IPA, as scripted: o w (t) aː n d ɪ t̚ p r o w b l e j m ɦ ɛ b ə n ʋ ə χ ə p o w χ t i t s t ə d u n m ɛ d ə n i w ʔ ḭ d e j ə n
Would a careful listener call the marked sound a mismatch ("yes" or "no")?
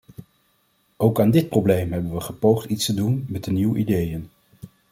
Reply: yes